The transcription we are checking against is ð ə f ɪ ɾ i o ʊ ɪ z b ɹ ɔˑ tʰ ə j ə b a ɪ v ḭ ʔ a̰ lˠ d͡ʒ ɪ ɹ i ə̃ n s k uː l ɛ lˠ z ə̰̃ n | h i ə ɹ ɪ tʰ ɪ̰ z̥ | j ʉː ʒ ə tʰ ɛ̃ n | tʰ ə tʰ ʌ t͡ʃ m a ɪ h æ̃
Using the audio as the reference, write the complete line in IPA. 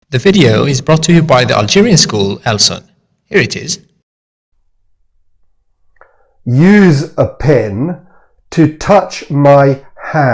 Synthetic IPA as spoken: ð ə v ɪ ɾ i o ʊ ɪ z b ɹ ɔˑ tʰ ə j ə b a ɪ ð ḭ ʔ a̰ lˠ d͡ʒ ɪ ɹ i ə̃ n s k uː l ɛ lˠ s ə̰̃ n | h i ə ɹ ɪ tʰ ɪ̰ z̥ | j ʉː z ə pʰ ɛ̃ n | tʰ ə tʰ ʌ t͡ʃ m a ɪ h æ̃